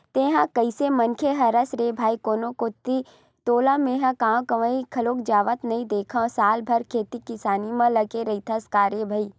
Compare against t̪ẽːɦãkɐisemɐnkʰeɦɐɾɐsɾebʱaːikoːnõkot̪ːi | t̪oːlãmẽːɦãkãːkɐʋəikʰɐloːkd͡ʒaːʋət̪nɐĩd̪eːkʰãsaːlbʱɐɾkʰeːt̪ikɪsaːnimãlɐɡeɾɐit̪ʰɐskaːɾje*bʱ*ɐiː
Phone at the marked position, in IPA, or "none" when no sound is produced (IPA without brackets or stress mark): bʱ